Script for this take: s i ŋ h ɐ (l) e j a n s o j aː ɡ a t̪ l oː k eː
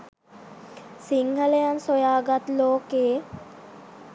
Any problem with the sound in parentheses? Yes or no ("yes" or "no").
no